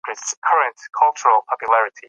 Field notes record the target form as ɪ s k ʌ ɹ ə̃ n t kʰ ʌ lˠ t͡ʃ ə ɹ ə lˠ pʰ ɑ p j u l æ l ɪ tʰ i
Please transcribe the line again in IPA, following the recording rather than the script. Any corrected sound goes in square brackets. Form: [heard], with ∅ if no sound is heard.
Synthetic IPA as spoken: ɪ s [kʰ] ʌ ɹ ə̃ n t kʰ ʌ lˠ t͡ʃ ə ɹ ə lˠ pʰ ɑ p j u l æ [ɹ] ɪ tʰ i